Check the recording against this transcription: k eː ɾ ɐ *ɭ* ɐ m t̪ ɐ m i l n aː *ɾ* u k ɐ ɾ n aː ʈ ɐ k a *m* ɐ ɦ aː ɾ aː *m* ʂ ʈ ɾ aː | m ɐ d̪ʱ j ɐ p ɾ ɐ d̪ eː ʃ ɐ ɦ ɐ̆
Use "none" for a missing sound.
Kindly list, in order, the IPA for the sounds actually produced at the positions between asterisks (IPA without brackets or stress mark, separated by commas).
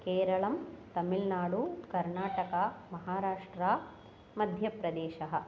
ɭ, ɽ, m, none